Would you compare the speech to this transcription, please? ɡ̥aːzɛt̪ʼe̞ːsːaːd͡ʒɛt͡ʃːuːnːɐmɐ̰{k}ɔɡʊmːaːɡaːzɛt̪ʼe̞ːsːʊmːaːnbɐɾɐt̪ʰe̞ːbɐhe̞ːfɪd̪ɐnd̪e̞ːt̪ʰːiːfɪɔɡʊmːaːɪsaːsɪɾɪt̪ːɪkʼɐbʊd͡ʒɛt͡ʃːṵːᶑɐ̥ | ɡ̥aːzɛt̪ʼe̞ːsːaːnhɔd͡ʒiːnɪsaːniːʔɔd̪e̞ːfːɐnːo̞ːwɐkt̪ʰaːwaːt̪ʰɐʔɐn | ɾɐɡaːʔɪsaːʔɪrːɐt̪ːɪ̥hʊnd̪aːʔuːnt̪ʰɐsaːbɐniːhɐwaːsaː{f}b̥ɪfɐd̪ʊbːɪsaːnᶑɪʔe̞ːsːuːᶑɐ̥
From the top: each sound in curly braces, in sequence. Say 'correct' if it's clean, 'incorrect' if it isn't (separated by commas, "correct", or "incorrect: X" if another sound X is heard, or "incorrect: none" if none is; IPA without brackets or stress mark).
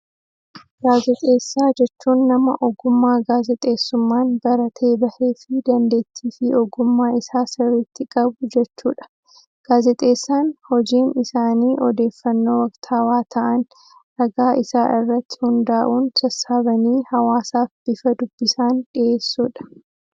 incorrect: ʔ, correct